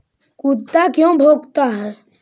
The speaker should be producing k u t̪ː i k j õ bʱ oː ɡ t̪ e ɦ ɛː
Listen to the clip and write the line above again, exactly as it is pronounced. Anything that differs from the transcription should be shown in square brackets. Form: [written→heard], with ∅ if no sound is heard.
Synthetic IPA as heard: k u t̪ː [i→a] k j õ bʱ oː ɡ t̪ [e→a] ɦ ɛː